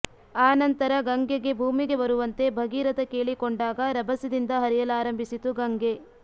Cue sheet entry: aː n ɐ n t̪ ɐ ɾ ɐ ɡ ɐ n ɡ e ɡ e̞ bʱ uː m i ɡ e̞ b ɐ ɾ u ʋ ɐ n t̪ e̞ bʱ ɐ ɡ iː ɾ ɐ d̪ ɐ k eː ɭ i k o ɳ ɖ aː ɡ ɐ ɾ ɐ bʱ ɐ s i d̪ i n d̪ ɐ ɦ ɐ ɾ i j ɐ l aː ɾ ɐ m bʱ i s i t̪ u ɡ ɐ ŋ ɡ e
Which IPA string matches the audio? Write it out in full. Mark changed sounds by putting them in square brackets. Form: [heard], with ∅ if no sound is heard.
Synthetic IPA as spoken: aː n ɐ n t̪ ɐ ɾ ɐ ɡ ɐ [ŋ] ɡ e ɡ e̞ bʱ uː m i ɡ e̞ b ɐ ɾ u ʋ ɐ n t̪ e̞ bʱ ɐ ɡ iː ɾ ɐ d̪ ɐ k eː ɭ i k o ɳ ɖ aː ɡ ɐ ɾ ɐ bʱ ɐ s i d̪ i n d̪ ɐ ɦ ɐ ɾ i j ɐ l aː ɾ ɐ m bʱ i s i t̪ u ɡ ɐ ŋ ɡ e